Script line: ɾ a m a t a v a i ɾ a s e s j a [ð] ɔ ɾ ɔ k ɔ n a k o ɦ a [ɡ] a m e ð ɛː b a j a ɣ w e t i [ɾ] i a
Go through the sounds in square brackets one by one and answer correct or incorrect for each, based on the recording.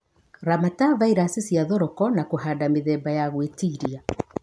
correct, incorrect, correct

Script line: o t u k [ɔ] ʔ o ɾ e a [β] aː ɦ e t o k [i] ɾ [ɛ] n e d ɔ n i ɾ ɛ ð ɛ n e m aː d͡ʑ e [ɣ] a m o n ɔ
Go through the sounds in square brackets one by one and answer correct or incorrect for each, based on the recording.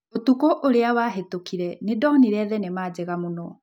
incorrect, incorrect, correct, correct, correct

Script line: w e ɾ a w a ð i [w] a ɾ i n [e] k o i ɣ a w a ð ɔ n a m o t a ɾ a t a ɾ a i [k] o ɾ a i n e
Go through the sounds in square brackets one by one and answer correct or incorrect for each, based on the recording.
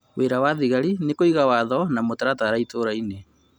incorrect, correct, incorrect

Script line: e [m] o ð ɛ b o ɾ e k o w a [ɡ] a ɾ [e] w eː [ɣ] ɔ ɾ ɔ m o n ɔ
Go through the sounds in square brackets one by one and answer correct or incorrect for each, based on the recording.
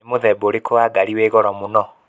correct, correct, incorrect, correct

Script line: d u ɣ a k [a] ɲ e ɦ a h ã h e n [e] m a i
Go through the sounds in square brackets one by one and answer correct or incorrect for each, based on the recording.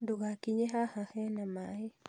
incorrect, incorrect

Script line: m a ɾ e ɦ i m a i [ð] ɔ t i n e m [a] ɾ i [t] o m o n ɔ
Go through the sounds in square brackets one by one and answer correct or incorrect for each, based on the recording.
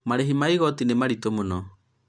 incorrect, correct, correct

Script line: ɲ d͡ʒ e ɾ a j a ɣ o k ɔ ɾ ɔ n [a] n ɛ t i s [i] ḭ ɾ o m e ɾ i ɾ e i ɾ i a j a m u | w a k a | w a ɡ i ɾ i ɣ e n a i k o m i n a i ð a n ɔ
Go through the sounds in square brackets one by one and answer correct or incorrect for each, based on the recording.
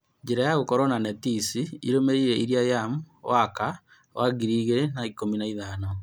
correct, correct

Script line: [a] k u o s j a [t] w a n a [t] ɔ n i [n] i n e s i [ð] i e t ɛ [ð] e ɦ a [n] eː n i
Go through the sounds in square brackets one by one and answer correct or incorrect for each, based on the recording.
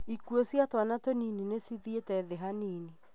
incorrect, correct, correct, correct, correct, correct, correct

